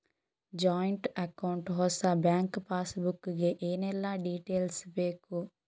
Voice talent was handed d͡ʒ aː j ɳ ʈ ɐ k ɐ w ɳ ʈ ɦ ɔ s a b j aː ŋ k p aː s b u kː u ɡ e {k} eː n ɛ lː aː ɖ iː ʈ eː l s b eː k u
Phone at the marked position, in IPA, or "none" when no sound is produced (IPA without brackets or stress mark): ʔ